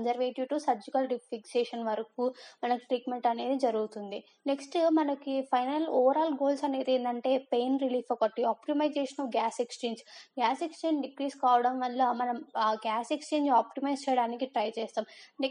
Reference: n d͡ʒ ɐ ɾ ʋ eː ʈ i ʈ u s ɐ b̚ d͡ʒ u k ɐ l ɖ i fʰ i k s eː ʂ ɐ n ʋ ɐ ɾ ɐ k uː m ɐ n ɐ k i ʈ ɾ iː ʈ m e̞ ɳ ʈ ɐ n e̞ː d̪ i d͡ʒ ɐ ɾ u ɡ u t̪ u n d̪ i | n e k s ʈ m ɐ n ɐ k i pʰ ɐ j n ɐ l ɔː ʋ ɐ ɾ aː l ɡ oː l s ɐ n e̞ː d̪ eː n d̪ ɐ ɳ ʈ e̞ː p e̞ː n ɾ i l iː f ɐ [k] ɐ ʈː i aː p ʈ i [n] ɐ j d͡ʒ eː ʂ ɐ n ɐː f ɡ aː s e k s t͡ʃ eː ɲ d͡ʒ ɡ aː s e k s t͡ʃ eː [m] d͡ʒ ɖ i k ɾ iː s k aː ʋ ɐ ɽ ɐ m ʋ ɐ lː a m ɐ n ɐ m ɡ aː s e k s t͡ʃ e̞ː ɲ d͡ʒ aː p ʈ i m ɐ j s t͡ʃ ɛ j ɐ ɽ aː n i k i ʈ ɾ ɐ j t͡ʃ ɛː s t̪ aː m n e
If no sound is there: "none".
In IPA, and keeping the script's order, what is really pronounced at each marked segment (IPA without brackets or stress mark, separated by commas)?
k, m, ɲ